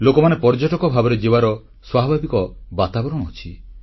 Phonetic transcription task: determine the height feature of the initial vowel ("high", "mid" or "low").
mid